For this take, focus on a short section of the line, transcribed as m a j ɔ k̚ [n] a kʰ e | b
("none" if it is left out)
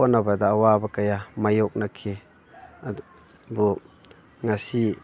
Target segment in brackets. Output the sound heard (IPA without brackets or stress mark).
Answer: n